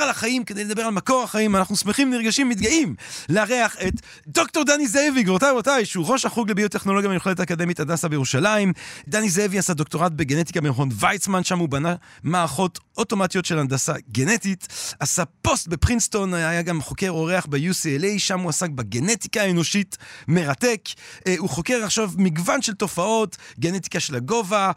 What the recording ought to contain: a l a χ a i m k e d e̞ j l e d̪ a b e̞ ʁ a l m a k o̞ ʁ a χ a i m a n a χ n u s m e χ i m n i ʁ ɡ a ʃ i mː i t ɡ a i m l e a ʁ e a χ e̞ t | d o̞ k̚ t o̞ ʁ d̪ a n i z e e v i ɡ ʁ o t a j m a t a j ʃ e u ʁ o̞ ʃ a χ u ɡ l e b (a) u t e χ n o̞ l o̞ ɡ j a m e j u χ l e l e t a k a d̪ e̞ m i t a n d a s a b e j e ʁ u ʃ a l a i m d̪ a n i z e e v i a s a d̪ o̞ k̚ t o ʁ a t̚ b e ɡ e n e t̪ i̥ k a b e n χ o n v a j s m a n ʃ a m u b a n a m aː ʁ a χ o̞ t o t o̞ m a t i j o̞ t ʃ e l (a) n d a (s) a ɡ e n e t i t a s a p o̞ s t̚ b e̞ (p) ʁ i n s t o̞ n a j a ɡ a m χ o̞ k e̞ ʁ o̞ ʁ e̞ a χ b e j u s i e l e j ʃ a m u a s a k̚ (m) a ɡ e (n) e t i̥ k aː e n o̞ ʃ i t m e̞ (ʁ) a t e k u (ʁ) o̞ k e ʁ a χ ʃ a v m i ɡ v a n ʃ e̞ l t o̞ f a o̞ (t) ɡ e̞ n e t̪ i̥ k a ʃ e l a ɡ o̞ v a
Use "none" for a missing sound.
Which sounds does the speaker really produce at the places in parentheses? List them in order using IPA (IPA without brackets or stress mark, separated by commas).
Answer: i, a, s, p, b, n, ʁ, χ, t